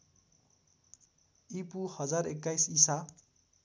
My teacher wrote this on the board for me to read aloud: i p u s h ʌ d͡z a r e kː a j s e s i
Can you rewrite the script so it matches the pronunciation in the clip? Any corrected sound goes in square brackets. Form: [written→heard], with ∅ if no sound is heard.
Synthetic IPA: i p u [s→∅] h ʌ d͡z a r e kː a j s [e→i] s [i→a]